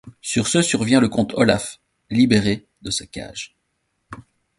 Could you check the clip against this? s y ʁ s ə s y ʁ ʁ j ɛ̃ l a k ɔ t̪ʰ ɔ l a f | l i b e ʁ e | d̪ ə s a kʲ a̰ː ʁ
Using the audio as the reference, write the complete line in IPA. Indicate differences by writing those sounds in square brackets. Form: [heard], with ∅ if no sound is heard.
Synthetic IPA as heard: s y ʁ s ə s y ʁ [v] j ɛ̃ l [ə] k [ɔ̃] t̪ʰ ɔ l a f | l i b e ʁ e | d̪ ə s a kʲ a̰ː [ʒ]

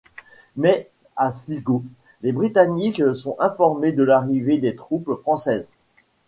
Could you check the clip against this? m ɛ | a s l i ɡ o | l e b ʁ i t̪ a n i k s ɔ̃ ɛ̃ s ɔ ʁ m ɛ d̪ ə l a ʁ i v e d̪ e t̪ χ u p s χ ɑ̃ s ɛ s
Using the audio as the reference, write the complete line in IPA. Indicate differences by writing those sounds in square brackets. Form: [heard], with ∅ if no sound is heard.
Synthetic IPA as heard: m ɛ | a s l i ɡ o | l e b ʁ i t̪ a n i k s ɔ̃ ɛ̃ [f] ɔ ʁ m [e] d̪ ə l a ʁ i v e d̪ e t̪ χ u p [f] χ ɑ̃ s ɛ [z]

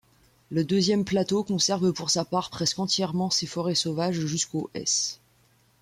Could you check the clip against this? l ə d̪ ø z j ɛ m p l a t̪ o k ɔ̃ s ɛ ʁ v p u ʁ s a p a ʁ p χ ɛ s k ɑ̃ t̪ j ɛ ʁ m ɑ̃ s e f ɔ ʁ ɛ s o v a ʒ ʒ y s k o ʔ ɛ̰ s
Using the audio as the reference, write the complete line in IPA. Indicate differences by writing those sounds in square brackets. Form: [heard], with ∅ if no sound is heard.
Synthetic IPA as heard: l ə d̪ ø z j ɛ m p l a t̪ o k ɔ̃ s ɛ ʁ v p u ʁ s a p a ʁ p χ ɛ s k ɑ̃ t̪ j ɛ ʁ m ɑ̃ s e f ɔ ʁ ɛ s o v a ʒ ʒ y s k o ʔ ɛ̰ s

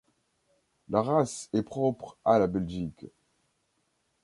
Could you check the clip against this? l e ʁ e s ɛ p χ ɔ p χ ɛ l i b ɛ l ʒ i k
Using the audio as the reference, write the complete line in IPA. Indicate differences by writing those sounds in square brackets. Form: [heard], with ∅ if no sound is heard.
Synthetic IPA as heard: l [a] ʁ [a] s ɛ p χ ɔ p χ [a] l [a] b ɛ l ʒ i k

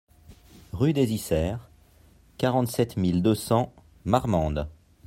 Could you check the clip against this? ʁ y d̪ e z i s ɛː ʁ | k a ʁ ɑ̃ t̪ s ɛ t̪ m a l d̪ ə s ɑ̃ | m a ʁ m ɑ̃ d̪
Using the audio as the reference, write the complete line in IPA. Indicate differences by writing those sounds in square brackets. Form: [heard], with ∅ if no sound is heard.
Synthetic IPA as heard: ʁ y d̪ e z i s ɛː ʁ | k a ʁ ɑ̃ t̪ s ɛ t̪ m [i] l d̪ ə s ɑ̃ | m a ʁ m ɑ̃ d̪

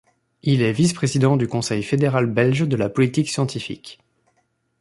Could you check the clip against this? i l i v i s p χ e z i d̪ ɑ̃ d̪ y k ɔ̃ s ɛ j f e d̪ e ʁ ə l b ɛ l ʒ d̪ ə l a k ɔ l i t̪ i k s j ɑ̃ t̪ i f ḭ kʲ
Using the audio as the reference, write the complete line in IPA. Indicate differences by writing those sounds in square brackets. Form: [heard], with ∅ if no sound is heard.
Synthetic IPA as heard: i l [ɛ] v i s p χ e z i d̪ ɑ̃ d̪ y k ɔ̃ s ɛ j f e d̪ e ʁ [a] l b ɛ l ʒ d̪ ə l a [p] ɔ l i t̪ i k s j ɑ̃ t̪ i f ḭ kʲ

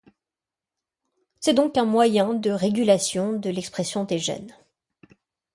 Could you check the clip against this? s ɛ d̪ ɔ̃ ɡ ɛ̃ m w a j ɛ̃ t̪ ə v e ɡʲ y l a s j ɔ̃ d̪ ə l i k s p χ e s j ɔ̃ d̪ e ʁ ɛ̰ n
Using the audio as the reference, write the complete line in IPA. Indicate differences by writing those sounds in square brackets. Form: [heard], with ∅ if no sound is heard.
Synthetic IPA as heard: s ɛ d̪ ɔ̃ [k] ɛ̃ m w a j ɛ̃ [d̪] ə [ʁ] e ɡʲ y l a s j ɔ̃ d̪ ə l [ɛ] k s p χ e s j ɔ̃ d̪ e [ʒ] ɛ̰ n

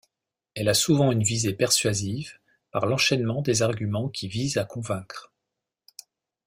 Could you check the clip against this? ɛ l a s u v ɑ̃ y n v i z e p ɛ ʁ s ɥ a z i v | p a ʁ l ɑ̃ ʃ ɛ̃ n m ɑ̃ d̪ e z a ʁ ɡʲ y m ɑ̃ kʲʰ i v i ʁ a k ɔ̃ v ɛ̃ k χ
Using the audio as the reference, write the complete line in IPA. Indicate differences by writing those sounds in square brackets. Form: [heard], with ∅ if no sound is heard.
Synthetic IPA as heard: ɛ l a s u v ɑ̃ y n v i z e p ɛ ʁ s ɥ a z i v | p a ʁ l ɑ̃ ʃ [ɛ] n m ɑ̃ d̪ e z a ʁ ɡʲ y m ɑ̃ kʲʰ i v i [z] a k ɔ̃ v ɛ̃ k χ

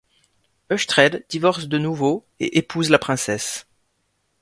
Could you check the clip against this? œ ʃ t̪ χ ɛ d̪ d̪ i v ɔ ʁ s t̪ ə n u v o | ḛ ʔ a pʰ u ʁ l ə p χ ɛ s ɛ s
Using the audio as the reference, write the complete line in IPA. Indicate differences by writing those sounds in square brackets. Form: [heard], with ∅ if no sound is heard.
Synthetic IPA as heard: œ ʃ t̪ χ ɛ d̪ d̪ i v ɔ ʁ s [d̪] ə n u v o | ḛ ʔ [e] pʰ u [z] l [a] p χ [ɛ̃] s ɛ s

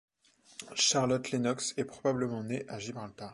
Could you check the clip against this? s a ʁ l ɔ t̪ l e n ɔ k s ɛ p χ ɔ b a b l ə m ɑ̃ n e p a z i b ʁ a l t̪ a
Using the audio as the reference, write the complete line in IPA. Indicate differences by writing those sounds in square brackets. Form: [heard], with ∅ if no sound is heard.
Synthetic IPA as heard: [ʃ] a ʁ l ɔ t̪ l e n ɔ k s ɛ p χ ɔ b a b l ə m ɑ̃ n e [ʔ] a [ʒ] i b ʁ a l t̪ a

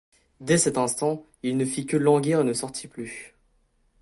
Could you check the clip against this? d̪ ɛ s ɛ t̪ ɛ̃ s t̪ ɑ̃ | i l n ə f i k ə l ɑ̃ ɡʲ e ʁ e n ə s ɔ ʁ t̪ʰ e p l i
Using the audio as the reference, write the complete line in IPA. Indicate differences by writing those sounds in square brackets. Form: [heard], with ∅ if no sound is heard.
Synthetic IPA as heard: d̪ ɛ s ɛ t̪ ɛ̃ s t̪ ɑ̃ | i l n ə f i k ə l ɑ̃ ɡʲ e ʁ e n ə s ɔ ʁ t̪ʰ [i] p l [y]

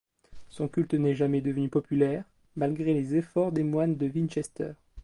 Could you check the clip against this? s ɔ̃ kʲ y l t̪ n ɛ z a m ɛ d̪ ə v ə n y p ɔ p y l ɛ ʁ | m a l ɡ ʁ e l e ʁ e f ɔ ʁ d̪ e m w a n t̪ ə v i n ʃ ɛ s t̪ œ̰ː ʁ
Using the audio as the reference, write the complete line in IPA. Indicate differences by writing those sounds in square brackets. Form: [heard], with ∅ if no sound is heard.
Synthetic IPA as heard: s ɔ̃ kʲ y l t̪ n ɛ [ʒ] a m ɛ d̪ ə v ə n y p ɔ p y l ɛ ʁ | m a l ɡ ʁ e l e [z] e f ɔ ʁ d̪ e m w a n [d̪] ə v i n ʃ ɛ s t̪ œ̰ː ʁ

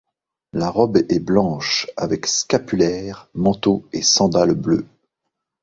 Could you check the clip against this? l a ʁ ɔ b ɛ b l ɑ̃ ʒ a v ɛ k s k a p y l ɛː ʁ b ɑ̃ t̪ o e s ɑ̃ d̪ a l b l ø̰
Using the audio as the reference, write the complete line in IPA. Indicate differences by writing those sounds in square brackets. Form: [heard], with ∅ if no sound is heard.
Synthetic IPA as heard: l a ʁ ɔ b ɛ b l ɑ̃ [ʃ] a v ɛ k s k a p y l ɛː ʁ [m] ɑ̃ t̪ o e s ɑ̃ d̪ a l b l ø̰

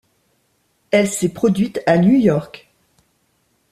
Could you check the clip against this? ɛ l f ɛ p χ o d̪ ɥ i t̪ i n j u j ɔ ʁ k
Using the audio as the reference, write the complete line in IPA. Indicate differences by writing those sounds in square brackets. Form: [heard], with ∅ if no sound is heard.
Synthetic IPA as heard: ɛ l [s] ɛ p χ [ɔ] d̪ ɥ i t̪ [a] n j u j ɔ ʁ k

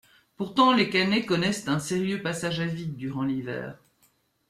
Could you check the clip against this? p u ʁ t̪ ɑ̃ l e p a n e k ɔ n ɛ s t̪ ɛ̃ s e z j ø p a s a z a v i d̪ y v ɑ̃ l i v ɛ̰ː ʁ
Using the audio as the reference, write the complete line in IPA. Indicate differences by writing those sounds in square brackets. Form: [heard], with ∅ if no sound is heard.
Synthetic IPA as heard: p u ʁ t̪ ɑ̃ l e [k] a n e k ɔ n ɛ s t̪ ɛ̃ s e [ʁ] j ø p a s a [ʒ] a v i d̪ y [ʁ] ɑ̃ l i v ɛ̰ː ʁ

